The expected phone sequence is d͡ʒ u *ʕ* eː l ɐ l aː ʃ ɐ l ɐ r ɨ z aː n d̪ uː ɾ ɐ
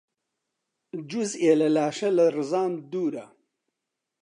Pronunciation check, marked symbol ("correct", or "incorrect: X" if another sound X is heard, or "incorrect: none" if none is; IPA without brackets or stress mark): incorrect: z